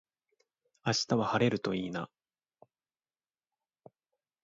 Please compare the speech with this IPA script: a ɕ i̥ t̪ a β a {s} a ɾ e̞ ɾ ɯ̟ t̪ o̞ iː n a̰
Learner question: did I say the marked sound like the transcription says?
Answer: no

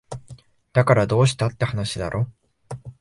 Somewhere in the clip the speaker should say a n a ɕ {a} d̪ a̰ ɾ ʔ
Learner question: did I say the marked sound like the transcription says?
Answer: no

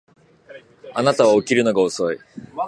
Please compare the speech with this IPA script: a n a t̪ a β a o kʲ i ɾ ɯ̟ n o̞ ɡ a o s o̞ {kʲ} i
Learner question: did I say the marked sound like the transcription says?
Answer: no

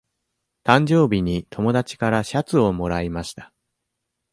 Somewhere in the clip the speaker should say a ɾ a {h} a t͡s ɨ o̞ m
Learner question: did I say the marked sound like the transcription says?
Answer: no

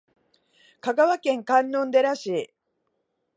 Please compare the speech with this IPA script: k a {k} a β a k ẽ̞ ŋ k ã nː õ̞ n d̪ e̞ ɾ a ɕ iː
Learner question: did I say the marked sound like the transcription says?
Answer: no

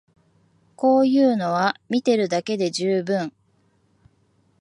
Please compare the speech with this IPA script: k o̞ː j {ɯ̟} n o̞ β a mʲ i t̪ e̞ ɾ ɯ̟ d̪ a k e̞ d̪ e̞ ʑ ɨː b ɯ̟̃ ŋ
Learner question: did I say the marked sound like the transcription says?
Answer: no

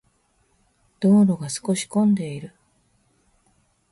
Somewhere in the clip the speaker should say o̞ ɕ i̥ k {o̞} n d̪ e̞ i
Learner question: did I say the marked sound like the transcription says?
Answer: no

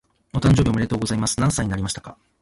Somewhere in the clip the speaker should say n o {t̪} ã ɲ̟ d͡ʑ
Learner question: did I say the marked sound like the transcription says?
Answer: yes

